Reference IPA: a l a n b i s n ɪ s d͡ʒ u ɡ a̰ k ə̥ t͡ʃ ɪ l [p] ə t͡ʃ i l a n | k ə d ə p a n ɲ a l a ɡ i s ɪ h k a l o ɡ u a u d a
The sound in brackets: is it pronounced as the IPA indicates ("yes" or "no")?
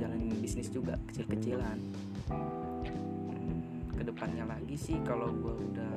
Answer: no